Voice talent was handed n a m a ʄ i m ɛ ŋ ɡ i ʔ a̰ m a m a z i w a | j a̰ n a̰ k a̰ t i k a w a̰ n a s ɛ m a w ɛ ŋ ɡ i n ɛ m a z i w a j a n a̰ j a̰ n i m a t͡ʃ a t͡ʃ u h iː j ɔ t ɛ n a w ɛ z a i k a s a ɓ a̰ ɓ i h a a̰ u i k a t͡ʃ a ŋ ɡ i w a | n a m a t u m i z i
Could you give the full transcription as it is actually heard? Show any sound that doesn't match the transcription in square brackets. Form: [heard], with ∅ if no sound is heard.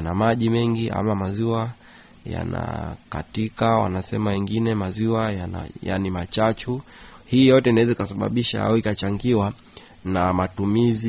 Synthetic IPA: n a m a ʄ i m ɛ ŋ ɡ i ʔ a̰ m a m a z i w a | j a̰ n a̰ k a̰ t i k a w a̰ n a s ɛ m a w ɛ ŋ ɡ i n ɛ m a z i w a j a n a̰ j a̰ n i m a t͡ʃ a t͡ʃ u h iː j ɔ t ɛ n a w ɛ z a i k a s a ɓ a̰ ɓ i [ʃ] a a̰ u i k a t͡ʃ a ŋ ɡ i w a | n a m a t u m i z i